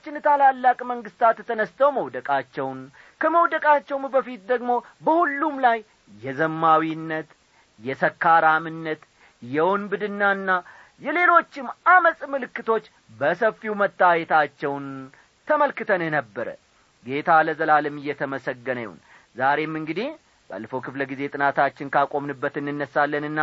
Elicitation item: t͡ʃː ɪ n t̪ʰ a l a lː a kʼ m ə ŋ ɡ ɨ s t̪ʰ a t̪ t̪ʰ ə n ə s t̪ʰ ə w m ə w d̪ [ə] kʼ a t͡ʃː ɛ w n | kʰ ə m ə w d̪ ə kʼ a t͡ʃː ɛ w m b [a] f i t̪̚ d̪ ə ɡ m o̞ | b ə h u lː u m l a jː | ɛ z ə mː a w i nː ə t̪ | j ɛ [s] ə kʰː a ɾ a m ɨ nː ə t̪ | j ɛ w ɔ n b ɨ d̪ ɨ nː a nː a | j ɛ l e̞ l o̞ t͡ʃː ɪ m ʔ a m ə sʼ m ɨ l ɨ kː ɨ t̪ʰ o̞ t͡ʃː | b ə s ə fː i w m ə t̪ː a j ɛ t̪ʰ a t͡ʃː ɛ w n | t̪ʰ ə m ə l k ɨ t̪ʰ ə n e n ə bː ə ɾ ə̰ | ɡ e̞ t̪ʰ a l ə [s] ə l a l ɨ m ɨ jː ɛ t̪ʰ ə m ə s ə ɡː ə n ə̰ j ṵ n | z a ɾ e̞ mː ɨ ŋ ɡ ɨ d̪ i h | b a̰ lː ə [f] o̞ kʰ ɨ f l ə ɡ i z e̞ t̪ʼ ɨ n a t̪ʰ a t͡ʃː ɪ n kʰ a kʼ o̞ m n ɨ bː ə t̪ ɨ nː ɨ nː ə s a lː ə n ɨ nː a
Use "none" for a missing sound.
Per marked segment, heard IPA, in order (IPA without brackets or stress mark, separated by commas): ə, ə, s, z, f